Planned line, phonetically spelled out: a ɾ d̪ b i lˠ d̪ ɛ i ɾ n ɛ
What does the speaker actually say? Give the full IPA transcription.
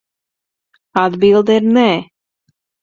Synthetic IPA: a d̪ b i lˠ d̪ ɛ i ɾ n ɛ